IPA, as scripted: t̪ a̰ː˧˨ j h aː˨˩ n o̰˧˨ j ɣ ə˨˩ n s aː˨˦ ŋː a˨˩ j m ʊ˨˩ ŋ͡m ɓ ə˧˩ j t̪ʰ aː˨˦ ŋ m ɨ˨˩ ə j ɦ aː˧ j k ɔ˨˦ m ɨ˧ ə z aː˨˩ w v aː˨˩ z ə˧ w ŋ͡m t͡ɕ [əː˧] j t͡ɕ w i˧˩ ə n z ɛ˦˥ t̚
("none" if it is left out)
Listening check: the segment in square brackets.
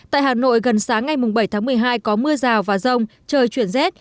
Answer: əː˧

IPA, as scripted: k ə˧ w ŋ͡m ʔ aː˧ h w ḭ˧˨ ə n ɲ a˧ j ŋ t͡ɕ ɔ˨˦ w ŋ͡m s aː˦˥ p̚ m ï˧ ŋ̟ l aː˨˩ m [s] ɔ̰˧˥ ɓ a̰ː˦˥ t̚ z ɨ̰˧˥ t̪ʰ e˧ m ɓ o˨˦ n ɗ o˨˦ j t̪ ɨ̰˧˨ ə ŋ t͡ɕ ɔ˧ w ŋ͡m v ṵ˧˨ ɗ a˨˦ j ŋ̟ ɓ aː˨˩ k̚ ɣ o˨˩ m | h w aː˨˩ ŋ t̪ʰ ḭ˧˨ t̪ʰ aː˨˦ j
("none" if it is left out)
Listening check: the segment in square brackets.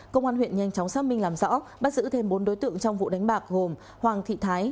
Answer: z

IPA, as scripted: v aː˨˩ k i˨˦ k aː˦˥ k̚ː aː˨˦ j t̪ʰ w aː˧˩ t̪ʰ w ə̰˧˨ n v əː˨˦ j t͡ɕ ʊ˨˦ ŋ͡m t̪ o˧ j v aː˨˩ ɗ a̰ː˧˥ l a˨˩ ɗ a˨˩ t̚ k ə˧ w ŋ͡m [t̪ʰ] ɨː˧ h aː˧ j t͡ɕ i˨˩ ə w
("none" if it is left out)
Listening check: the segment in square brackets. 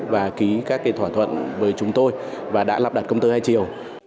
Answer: t̪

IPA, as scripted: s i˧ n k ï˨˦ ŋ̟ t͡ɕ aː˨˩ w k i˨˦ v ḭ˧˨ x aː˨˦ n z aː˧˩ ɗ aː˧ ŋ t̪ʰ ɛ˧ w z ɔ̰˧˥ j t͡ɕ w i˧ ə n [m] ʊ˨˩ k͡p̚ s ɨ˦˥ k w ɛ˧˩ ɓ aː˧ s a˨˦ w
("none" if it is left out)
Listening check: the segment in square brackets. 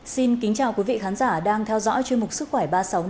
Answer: m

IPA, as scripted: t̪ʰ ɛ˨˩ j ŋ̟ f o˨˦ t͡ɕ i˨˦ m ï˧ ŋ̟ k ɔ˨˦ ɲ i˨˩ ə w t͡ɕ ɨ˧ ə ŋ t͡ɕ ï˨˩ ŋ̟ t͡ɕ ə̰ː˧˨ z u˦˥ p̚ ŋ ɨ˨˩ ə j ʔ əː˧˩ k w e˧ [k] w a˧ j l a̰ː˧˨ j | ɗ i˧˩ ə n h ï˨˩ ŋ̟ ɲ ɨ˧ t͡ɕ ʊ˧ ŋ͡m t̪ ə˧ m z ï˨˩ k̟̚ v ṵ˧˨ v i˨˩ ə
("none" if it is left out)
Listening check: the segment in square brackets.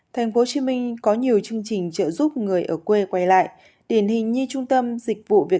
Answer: k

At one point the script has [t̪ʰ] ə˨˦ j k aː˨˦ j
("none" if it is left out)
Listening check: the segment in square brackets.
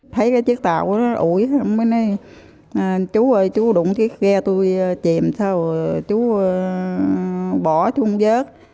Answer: t̪ʰ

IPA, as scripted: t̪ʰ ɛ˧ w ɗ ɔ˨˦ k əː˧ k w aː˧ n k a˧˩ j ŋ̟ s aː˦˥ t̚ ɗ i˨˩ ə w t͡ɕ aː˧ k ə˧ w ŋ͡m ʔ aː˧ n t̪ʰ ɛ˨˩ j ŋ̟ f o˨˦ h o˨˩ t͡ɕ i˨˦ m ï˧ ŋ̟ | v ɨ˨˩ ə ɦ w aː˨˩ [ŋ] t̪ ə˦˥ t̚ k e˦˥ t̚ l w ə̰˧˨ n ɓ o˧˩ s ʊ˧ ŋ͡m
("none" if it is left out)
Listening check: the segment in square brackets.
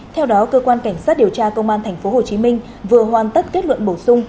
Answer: n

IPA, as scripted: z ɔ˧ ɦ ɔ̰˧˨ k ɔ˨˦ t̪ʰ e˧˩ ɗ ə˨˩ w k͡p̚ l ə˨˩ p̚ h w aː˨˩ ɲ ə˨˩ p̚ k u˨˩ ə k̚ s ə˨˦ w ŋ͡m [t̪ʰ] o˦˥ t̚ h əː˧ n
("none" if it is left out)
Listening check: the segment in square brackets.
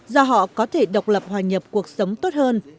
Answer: t̪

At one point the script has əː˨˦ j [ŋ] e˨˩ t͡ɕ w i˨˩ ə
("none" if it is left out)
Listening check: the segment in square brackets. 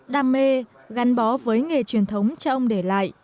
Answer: ŋ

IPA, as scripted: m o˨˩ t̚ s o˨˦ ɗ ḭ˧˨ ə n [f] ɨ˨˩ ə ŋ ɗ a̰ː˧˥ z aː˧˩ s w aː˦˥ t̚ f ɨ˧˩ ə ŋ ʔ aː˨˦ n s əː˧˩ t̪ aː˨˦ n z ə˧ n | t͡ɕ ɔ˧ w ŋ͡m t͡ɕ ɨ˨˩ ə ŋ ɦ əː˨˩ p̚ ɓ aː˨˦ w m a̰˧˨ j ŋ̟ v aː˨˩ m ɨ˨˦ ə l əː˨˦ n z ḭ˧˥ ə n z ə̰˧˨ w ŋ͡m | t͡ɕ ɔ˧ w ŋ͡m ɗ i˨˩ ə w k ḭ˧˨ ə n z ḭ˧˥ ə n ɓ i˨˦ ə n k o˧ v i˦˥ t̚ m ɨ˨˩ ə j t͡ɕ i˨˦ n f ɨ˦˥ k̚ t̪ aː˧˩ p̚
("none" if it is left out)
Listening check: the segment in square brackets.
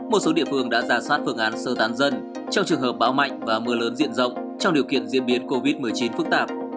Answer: f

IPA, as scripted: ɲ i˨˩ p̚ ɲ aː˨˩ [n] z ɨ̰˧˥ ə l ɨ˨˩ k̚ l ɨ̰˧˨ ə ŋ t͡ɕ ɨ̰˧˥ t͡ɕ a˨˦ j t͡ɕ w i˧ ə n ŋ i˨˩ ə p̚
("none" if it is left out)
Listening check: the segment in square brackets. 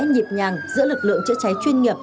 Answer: ŋ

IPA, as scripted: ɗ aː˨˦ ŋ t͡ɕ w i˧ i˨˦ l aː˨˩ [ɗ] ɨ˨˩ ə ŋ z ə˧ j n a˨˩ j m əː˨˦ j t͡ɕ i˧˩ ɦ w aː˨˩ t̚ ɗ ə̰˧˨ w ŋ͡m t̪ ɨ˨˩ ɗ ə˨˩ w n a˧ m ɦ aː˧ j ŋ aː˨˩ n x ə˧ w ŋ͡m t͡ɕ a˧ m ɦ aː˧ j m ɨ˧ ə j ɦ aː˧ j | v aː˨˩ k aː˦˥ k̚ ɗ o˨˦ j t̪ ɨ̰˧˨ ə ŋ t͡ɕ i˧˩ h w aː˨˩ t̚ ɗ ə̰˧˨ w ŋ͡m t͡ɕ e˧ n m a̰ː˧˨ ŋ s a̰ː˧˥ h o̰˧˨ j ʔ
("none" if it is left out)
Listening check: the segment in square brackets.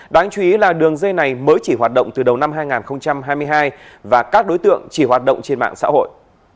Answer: ɗ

